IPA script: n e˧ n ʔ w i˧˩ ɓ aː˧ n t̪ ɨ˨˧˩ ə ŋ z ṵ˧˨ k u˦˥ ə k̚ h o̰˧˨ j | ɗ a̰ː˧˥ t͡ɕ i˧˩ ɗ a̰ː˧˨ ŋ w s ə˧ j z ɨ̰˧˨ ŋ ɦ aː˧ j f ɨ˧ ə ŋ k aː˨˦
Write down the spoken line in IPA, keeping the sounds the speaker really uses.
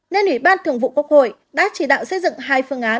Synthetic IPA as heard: n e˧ n ʔ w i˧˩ ɓ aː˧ n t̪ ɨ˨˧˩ ə ŋ v ṵ˧˨ k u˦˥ ə k̚ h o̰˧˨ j | ɗ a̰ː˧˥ t͡ɕ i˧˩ ɗ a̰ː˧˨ w s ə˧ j z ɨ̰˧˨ ŋ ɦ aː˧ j f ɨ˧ ə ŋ ʔ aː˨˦